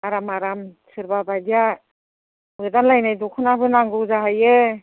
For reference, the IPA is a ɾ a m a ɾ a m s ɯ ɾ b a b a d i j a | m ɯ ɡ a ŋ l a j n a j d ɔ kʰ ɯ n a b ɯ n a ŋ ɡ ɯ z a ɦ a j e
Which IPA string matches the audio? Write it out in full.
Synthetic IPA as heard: a ɾ a m a ɾ a m s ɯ ɾ b a b a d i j a | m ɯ d a n l a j n a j d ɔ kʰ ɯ n a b ɯ n a ŋ ɡ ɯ z a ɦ a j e